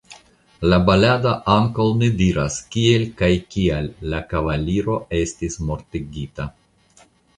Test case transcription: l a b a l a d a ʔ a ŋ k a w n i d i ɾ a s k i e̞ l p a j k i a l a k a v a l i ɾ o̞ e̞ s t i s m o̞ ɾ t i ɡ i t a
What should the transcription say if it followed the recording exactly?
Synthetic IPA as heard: l a b a l a d a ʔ a ŋ k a w n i d i ɾ a s k i e̞ l k a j k i a lː a k a v a l i ɾ o̞ e̞ s t i s m o̞ ɾ t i ɡ i t a